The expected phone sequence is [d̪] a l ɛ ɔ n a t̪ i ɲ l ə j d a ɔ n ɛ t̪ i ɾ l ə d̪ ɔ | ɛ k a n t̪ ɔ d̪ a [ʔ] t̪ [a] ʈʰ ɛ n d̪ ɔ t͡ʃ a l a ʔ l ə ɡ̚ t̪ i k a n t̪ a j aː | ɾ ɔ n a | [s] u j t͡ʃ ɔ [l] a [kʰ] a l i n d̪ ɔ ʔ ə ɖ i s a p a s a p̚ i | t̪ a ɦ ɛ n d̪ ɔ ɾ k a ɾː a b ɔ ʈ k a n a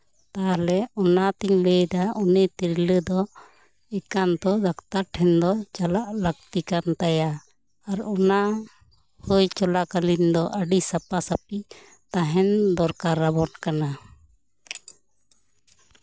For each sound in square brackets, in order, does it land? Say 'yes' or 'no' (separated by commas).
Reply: no, no, yes, no, yes, no